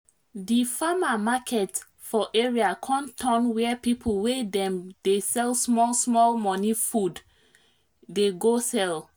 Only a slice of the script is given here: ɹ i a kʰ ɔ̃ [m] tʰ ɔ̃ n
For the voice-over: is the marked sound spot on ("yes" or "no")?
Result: no